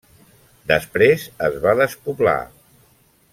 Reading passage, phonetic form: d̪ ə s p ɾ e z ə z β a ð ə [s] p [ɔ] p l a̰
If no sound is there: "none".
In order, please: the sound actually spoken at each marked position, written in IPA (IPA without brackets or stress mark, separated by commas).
s, u